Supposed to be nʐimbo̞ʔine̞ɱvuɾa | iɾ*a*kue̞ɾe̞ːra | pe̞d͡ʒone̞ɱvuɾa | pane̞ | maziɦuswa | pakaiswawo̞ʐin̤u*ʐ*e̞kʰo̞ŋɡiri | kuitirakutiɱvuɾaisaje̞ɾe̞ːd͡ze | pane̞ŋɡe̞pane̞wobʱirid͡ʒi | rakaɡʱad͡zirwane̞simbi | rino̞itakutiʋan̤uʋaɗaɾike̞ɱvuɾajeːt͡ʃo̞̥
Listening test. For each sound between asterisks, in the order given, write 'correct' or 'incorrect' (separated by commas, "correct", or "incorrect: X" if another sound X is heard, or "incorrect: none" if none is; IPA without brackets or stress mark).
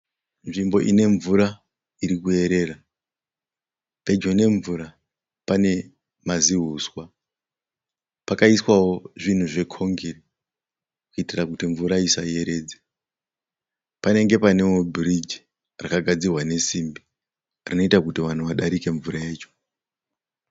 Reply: incorrect: i, correct